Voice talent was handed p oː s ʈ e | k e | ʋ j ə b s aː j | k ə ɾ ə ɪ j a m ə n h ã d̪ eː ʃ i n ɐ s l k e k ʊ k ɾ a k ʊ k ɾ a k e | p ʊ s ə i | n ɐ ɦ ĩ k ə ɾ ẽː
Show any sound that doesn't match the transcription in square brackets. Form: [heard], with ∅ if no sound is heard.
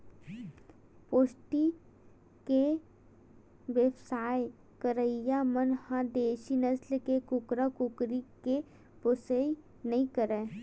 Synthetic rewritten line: p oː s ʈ [i] | k e | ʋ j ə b s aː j | k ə ɾ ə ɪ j a m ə n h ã d̪ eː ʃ i n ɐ s l k e k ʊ k ɾ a k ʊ k ɾ [i] k e | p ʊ s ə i | n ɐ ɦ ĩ k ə ɾ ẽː